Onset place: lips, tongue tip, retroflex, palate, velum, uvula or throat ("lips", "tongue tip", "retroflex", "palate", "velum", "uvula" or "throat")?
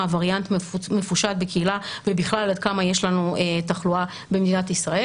lips